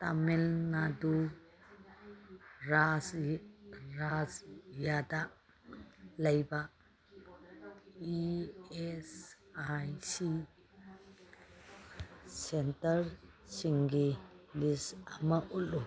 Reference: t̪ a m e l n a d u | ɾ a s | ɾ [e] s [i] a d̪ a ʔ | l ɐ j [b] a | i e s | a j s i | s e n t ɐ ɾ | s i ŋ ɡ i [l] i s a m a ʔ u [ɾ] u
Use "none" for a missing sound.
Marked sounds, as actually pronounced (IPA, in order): a, j, b, l, l

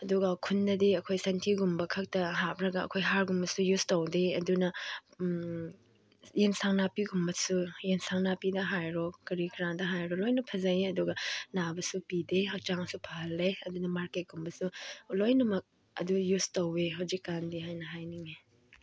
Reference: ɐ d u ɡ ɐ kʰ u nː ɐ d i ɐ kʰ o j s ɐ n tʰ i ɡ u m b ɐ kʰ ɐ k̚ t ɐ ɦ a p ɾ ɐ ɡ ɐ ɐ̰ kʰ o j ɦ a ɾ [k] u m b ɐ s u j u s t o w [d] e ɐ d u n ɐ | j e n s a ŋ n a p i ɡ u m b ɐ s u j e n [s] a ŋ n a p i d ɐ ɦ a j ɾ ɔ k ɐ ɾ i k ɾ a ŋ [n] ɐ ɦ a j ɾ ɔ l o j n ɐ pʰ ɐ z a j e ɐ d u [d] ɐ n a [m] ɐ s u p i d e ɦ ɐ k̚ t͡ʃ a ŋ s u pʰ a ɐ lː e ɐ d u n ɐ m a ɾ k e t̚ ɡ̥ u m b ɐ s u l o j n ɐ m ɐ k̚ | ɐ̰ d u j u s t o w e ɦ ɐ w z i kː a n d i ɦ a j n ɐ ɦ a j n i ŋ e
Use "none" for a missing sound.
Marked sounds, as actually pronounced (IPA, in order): ɡ, d, s, d, ɡ, b

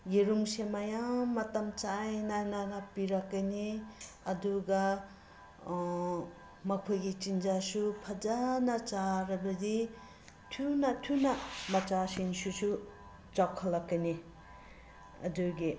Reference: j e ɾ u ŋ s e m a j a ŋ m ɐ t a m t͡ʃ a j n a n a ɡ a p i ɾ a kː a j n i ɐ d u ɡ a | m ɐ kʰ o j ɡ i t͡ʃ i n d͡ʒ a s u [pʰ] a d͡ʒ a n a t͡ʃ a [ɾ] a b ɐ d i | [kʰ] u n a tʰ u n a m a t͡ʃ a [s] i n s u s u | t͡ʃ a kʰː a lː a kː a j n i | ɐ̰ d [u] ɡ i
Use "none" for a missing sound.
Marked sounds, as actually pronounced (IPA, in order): pʰ, ɾ, tʰ, s, u

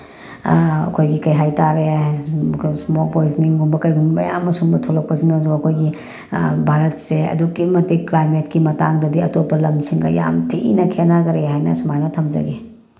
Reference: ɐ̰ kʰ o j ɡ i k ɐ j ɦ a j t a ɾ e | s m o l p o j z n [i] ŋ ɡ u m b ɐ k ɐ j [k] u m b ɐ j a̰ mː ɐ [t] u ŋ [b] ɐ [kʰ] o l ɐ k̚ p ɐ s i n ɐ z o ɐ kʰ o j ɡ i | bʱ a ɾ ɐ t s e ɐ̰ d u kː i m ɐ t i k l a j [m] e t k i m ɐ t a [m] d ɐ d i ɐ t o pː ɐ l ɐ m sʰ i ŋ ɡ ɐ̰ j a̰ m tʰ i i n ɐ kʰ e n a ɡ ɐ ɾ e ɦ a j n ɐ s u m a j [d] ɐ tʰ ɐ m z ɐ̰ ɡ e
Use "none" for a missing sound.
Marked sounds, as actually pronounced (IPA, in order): i, ɡ, s, b, tʰ, m, ŋ, n

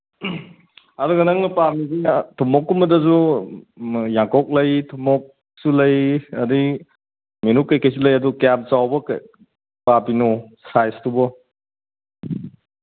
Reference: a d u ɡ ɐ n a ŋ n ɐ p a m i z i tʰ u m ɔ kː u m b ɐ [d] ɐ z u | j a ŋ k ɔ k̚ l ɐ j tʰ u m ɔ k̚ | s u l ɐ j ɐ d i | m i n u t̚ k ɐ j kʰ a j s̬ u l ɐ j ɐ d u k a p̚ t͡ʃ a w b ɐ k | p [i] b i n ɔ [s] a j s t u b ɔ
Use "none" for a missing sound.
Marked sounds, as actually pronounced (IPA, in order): d, a, s

